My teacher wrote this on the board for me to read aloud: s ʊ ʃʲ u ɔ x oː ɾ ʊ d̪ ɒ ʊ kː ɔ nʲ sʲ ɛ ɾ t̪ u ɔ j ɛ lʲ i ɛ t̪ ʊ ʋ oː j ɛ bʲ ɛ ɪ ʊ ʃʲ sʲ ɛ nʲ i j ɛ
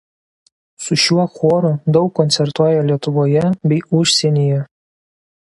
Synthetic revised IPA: s ʊ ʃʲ u ɔ x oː ɾ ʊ d̪ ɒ ʊ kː ɔ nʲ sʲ ɛ ɾ t̪ u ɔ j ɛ lʲ i ɛ t̪ ʊ ʋ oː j ɛ bʲ ɛ ɪ ʊ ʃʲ sʲ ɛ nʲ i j ɛ

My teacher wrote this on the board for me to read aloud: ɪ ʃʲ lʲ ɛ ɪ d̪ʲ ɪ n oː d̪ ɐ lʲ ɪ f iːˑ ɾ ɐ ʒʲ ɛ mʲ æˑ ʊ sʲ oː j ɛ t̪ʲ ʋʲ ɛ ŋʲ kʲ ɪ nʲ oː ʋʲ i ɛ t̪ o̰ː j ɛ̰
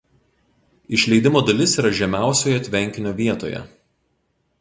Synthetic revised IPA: ɪ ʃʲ lʲ ɛ ɪ d̪ʲ ɪ m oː d̪ ɐ lʲ ɪ s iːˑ ɾ ɐ ʒʲ ɛ mʲ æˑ ʊ sʲ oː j ɛ t̪ʲ ʋʲ ɛ ŋʲ kʲ ɪ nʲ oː ʋʲ i ɛ t̪ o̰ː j ɛ̰

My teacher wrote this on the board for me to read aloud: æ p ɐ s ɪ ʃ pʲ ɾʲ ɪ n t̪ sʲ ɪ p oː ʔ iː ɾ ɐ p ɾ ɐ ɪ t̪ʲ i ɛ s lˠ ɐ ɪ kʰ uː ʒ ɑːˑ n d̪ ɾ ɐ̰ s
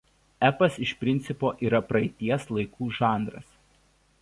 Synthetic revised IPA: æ p ɐ s ɪ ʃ pʲ ɾʲ ɪ n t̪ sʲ ɪ p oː ʔ iː ɾ ɐ p ɾ ɐ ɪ t̪ʲ i ɛ s lˠ ɐ ɪ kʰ uː ʒ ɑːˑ n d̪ ɾ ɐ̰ s

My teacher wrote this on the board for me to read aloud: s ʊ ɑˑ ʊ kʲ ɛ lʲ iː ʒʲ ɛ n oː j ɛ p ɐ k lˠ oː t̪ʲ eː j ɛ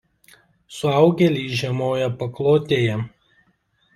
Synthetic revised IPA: s ʊ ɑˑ ʊ ɡʲ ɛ lʲ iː ʒʲ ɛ m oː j ɛ p ɐ k lˠ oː t̪ʲ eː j ɛ

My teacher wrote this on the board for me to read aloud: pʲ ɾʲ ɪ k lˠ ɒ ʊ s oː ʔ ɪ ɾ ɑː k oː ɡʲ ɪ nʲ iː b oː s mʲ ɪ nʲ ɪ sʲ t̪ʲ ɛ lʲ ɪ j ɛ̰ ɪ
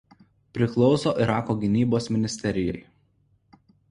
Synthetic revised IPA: pʲ ɾʲ ɪ k lˠ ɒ ʊ s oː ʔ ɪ ɾ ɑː k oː ɡʲ ɪ nʲ iː b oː s mʲ ɪ nʲ ɪ sʲ t̪ʲ ɛ ɾʲ ɪ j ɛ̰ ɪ

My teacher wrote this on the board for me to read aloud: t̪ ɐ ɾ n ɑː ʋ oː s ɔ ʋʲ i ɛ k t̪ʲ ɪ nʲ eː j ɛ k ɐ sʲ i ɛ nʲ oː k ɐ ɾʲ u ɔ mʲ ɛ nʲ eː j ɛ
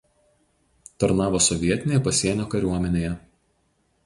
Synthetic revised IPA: t̪ ɐ ɾ n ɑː ʋ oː s ɔ ʋʲ i ɛ t̪ʲ ɪ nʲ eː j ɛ p ɐ sʲ i ɛ nʲ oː k ɐ ɾʲ u ɔ mʲ ɛ nʲ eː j ɛ

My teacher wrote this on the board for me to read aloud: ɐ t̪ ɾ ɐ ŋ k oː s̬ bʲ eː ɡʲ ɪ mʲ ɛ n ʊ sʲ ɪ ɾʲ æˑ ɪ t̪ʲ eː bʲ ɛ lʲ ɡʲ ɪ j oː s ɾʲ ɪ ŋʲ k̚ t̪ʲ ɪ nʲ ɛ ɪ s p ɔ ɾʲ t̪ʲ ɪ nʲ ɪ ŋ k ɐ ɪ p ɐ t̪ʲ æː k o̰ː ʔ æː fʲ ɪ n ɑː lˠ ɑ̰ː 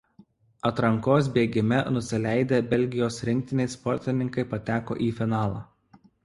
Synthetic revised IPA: ɐ t̪ ɾ ɐ ŋ k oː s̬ bʲ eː ɡʲ ɪ mʲ ɛ n ʊ sʲ ɪ lʲ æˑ ɪ d̪ʲ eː bʲ ɛ lʲ ɡʲ ɪ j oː s ɾʲ ɪ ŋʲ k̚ t̪ʲ ɪ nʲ ɛ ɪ s p ɔ ɾʲ t̪ʲ ɪ nʲ ɪ ŋ k ɐ ɪ p ɐ t̪ʲ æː k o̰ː ʔ iː fʲ ɪ n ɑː lˠ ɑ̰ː

